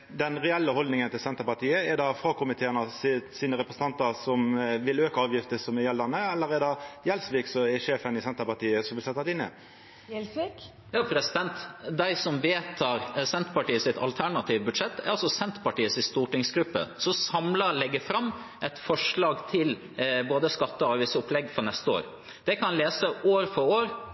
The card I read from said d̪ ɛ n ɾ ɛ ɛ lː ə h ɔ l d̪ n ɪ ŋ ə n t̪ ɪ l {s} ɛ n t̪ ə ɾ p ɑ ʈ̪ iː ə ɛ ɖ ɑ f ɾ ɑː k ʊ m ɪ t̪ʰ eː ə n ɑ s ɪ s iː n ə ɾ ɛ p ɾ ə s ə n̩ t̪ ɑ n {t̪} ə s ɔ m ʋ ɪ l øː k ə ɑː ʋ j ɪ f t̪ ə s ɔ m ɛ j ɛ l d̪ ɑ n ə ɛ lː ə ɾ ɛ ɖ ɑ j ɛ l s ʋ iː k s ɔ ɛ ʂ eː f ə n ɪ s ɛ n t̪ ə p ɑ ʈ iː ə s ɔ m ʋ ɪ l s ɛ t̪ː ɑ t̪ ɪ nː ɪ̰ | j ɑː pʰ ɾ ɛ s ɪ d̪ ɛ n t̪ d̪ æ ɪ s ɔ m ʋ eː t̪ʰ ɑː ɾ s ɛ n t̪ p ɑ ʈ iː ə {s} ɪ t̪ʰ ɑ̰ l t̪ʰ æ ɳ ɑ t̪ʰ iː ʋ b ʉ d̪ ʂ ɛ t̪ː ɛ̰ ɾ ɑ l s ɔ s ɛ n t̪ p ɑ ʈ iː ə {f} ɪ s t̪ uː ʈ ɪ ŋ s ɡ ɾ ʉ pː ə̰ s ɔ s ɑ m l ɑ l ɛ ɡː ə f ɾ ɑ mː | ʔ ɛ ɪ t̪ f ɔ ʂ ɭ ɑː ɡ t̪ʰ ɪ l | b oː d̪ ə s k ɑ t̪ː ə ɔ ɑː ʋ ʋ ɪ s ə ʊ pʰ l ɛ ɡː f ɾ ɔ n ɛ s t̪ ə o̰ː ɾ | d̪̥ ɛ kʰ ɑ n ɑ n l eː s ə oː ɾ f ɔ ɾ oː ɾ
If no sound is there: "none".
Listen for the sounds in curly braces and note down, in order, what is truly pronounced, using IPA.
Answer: s, t̪, s, s

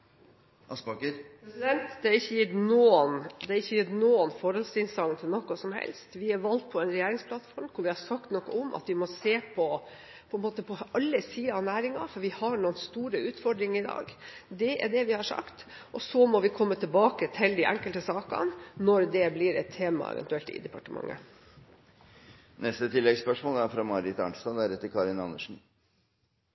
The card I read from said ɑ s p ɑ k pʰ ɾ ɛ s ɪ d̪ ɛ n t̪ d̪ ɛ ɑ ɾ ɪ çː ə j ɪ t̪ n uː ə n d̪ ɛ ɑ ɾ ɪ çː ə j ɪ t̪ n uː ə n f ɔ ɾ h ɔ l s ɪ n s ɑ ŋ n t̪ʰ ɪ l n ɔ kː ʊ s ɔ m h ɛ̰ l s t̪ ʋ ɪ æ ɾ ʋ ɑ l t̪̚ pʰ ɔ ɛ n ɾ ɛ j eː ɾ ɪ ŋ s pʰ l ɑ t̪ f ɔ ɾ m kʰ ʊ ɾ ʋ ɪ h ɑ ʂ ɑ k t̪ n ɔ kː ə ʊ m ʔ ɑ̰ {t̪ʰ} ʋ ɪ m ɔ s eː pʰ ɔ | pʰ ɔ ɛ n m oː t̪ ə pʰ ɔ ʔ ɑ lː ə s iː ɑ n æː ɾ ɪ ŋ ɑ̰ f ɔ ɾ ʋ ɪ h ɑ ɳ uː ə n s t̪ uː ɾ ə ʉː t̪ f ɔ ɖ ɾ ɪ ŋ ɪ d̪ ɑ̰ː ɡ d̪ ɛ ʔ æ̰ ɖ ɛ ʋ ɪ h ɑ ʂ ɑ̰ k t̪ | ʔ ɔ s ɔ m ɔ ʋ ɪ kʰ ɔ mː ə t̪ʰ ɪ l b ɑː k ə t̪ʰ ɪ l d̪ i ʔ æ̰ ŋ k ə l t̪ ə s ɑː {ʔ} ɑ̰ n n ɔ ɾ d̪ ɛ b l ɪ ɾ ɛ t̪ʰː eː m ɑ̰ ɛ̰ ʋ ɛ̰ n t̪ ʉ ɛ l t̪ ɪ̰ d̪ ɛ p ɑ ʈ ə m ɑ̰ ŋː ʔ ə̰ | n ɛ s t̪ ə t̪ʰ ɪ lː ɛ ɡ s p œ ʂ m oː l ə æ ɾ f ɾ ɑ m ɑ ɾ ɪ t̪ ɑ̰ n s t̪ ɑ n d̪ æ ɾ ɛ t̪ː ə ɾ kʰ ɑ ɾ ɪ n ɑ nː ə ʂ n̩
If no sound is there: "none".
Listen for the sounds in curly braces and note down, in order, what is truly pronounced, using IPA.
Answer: t̪, k

